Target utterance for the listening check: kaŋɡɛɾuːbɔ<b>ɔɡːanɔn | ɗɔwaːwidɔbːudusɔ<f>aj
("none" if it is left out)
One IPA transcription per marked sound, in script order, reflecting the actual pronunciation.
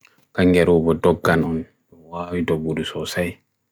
d, s

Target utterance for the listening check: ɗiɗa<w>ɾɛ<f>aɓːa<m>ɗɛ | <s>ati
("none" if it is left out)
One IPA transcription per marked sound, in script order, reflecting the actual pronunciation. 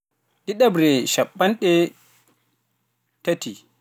b, ʃ, n, t

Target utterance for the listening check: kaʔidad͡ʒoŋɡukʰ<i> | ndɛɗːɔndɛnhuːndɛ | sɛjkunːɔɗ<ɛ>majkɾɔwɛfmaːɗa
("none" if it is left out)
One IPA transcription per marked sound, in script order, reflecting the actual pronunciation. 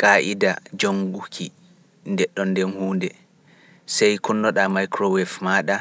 i, a

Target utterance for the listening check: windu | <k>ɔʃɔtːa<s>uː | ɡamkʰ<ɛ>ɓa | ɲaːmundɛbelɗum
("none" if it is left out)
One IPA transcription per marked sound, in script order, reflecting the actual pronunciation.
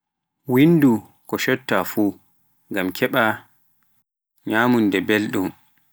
k, f, ɛ

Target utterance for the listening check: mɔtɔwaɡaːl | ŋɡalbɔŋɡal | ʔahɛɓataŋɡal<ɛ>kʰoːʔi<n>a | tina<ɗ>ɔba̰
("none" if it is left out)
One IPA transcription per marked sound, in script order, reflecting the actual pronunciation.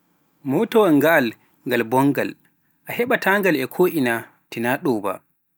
ɛ, n, ɗ

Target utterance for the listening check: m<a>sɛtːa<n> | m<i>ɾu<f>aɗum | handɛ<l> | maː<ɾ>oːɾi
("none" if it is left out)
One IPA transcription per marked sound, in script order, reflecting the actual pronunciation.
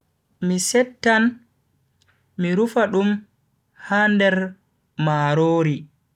i, n, i, f, ɾ, ɾ

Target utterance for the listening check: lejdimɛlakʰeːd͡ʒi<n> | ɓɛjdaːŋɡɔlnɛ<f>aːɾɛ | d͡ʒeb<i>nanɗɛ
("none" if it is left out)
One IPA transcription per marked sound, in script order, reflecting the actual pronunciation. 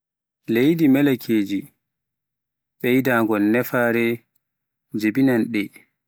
none, f, i

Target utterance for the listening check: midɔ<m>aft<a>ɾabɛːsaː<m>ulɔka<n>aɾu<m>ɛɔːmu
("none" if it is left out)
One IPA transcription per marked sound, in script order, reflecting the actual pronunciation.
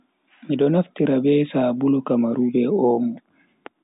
n, i, b, m, b

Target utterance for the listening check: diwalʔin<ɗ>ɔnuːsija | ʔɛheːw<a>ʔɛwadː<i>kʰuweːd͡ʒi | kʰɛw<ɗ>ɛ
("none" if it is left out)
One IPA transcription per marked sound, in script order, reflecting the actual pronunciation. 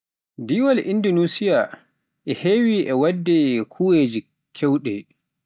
d, i, ɛ, ɗ

